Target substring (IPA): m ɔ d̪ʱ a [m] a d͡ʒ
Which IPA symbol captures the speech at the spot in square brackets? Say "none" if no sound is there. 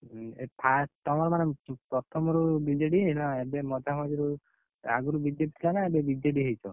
m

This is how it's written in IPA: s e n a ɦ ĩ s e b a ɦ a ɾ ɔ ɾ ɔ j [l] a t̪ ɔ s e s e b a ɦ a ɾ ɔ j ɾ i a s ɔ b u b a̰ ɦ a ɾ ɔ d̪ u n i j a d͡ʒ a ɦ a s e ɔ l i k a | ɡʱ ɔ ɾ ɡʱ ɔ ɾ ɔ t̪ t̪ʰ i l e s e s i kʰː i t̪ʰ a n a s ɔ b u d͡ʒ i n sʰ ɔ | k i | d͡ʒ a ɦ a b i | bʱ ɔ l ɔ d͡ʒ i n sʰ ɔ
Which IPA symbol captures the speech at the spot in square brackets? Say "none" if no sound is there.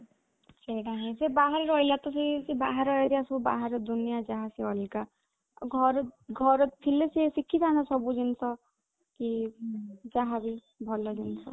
l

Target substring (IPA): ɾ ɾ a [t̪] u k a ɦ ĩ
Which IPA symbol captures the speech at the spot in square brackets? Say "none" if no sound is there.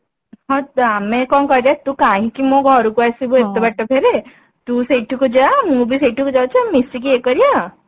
t̪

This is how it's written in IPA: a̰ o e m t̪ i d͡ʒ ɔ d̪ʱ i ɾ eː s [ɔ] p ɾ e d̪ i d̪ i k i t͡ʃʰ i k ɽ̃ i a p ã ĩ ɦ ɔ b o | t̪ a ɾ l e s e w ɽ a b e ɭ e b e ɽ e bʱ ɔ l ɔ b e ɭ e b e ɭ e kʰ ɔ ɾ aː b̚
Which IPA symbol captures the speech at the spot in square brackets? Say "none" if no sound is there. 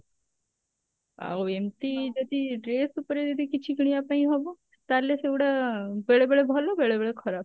u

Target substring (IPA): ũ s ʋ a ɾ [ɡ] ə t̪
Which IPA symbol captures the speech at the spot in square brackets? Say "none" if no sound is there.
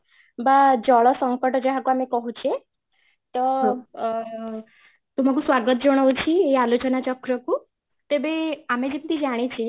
ɡ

